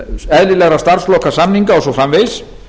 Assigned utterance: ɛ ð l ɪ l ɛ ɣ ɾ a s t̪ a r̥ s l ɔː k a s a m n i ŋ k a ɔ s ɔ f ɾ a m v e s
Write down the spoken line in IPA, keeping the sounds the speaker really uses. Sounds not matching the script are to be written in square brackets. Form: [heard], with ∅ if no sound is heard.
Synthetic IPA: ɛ ð l ɪ l ɛ ɣ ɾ a s t̪ a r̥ s l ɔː k a s a m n i ŋ k a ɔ s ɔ f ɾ a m v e s

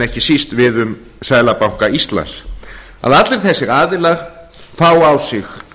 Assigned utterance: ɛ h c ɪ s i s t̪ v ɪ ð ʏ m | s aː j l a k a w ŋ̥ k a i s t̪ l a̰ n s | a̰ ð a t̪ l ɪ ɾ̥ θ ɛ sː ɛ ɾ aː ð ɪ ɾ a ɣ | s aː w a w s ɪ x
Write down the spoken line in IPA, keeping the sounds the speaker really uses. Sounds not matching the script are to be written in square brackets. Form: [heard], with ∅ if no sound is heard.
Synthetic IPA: ɛ h c ɪ s i s t̪ v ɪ ð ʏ m | s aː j l a [p] a w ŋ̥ k a i s t̪ l a̰ n s | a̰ ð a t̪ l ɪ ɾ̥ θ ɛ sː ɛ ɾ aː ð ɪ [l] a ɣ | [f] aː w a w s ɪ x

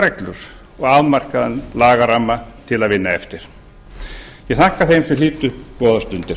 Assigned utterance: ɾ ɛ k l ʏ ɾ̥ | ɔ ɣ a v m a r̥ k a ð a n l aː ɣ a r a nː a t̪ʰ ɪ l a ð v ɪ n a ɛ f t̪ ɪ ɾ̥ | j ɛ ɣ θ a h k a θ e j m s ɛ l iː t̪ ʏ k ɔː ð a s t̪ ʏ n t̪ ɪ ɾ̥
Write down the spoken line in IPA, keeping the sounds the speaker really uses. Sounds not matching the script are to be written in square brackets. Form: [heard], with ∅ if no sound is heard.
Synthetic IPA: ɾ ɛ k l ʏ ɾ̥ | ɔ ɣ a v m a r̥ k a ð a n l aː ɣ a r a [mː] a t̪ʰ ɪ l a ð v ɪ [nː] a ɛ f t̪ ɪ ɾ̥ | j ɛ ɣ θ a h k a θ e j m s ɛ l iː t̪ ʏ k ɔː ð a s t̪ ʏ n t̪ ɪ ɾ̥

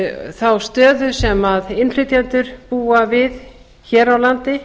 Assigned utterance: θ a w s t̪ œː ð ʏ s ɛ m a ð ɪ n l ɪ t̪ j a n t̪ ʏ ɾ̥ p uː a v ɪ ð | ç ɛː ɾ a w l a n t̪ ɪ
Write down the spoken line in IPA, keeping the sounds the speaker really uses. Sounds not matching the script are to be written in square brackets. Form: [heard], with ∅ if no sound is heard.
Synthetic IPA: θ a w s t̪ œː ð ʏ s ɛ m a ð ɪ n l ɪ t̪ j a n t̪ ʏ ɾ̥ p uː a v ɪ ð | ç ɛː ɾ a w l a n t̪ ɪ

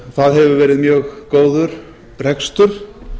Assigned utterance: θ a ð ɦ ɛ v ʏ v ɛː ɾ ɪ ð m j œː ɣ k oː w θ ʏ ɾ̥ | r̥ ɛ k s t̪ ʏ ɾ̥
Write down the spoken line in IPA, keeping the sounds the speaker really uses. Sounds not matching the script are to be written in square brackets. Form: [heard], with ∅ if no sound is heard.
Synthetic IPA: θ a ð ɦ ɛ v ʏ v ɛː ɾ ɪ ð m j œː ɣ k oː w [ð] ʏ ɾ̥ | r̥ ɛ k s t̪ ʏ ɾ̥

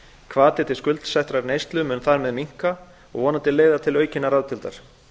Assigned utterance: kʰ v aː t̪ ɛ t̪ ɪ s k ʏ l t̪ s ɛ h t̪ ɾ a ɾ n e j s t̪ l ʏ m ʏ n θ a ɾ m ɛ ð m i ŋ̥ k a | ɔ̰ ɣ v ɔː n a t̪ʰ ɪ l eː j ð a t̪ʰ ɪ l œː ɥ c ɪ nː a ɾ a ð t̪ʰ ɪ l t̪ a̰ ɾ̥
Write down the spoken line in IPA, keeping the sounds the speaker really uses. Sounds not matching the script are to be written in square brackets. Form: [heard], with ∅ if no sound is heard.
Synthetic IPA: kʰ v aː t̪ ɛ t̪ ɪ s k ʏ l t̪ s ɛ h t̪ ɾ a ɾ n e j s t̪ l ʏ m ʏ n θ a ɾ m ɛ ð m i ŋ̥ k a | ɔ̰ ɣ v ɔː n a [t̪] ɪ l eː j ð a t̪ʰ ɪ l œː ɥ c ɪ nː a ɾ a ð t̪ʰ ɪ l t̪ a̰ ɾ̥

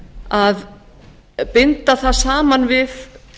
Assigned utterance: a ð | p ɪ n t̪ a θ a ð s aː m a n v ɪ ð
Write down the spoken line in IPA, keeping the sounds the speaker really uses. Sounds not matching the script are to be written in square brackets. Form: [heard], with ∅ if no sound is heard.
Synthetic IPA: a ð | p ɪ n t̪ a θ a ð s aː m a n v ɪ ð

